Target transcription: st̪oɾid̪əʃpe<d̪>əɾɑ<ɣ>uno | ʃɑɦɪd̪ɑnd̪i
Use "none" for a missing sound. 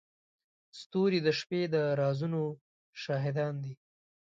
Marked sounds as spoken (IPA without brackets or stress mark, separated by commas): d̪, z